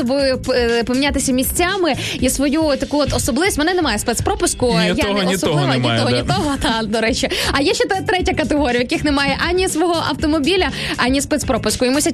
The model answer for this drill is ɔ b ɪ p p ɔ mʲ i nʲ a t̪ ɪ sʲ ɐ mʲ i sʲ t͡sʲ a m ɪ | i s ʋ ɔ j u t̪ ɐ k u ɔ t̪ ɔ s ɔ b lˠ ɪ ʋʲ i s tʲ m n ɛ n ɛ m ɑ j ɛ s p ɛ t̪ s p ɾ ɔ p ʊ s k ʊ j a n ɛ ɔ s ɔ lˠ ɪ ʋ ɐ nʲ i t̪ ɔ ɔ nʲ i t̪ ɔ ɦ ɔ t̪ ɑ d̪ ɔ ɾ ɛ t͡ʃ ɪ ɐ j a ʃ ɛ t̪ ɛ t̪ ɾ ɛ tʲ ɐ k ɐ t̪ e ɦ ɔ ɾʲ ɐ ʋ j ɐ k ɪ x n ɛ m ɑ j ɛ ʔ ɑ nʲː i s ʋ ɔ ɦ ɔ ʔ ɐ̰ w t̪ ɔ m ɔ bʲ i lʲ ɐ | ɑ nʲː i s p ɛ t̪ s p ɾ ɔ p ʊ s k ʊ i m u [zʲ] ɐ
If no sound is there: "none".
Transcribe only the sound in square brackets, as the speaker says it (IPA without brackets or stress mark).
sʲ